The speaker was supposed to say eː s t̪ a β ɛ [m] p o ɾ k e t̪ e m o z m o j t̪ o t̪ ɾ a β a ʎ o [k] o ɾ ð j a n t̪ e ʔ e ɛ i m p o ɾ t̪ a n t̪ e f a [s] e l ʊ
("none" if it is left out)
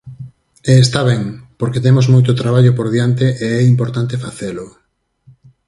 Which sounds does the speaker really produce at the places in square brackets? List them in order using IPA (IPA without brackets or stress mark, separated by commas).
ŋ, p, θ